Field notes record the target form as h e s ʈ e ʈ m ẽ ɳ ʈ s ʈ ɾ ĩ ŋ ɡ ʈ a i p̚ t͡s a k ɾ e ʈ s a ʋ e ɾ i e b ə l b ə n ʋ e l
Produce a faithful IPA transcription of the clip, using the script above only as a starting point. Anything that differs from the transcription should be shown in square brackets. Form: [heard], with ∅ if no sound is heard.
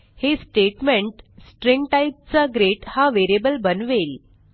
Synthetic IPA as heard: h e s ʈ e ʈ m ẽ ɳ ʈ s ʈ ɾ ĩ ŋ ɡ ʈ a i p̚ t͡s a [ɡ] ɾ e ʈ [h] a ʋ e ɾ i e b ə l b ə n ʋ e l